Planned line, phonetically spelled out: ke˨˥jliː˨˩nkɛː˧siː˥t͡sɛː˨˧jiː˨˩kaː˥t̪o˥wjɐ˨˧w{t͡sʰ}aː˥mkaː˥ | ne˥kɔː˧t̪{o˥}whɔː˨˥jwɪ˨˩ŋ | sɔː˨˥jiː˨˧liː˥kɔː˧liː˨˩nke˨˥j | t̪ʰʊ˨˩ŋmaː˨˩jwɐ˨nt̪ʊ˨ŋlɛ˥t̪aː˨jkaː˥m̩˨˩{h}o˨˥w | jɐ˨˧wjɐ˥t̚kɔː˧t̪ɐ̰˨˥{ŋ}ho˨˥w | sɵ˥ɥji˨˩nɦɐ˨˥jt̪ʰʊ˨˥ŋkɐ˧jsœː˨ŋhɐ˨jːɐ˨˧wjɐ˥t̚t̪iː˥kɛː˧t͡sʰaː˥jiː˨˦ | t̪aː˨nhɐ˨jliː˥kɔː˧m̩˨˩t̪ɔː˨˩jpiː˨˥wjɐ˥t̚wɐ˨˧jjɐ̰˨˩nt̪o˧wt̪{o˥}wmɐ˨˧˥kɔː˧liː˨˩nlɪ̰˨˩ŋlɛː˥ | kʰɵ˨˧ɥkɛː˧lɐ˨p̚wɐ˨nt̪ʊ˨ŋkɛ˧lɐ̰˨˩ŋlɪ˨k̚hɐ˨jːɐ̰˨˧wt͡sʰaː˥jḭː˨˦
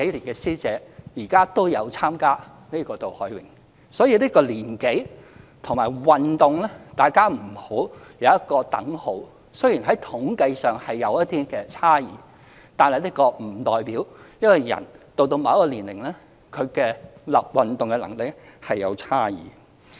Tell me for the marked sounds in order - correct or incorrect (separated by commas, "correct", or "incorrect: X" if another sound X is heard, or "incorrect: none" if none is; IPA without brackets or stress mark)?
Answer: correct, incorrect: o˨, correct, correct, incorrect: o˧